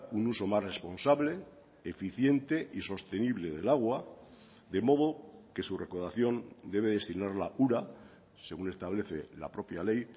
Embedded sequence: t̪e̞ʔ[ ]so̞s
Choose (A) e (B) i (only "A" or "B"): B